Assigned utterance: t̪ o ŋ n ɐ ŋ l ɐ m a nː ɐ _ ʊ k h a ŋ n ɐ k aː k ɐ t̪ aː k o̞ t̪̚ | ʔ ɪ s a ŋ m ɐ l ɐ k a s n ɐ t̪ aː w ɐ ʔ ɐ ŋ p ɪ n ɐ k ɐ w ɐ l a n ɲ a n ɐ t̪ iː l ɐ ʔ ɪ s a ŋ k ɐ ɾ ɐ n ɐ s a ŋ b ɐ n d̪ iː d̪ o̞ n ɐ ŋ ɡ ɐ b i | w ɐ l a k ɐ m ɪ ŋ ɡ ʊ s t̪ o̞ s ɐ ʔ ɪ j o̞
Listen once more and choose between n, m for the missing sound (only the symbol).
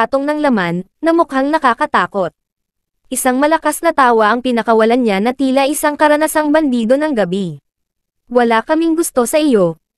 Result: m